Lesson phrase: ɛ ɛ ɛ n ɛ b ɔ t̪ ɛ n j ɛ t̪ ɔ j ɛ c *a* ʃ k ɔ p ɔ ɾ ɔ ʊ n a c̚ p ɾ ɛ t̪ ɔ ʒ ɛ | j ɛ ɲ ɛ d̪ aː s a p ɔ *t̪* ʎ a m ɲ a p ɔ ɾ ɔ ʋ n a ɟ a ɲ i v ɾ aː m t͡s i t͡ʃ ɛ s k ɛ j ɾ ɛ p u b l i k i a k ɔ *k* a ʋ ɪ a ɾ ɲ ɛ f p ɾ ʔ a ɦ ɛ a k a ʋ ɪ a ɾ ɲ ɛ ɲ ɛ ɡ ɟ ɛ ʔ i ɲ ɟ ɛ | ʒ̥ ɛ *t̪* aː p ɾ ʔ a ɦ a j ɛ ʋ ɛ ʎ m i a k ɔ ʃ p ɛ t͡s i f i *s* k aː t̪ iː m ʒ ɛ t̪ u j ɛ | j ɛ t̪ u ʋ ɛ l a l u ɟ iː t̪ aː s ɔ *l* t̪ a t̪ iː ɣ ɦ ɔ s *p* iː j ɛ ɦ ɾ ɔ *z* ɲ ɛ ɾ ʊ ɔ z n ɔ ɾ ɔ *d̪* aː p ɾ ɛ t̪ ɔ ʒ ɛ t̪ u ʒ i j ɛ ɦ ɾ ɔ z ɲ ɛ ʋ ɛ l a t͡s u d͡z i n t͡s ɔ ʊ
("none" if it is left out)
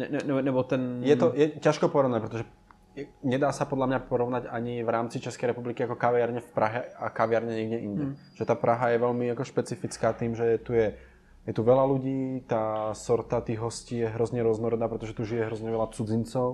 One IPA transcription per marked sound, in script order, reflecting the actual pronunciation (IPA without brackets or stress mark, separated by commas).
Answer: a, d̪, k, t̪, t͡s, ɾ, c, z, d̪